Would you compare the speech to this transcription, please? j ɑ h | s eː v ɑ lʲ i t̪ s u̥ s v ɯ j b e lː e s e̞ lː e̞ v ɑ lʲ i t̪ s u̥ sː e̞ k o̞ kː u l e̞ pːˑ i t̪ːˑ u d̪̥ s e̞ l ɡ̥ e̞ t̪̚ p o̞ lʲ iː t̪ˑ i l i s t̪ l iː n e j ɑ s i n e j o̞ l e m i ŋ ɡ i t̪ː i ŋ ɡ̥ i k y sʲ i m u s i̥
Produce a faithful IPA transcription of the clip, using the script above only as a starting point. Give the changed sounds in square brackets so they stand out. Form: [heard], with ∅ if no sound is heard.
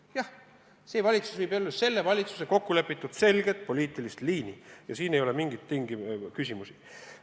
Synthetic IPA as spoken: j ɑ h | s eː v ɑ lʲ i t̪ s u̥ s v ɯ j b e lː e s e̞ lː e̞ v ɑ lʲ i t̪ s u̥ [s] e̞ k o̞ kː u l e̞ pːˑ i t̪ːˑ u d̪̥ s e̞ l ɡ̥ e̞ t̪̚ p o̞ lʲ iː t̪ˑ i l i s t̪ l iː n [i] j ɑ s [iː] n e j o̞ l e m i ŋ ɡ i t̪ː i ŋ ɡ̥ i k y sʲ i m u s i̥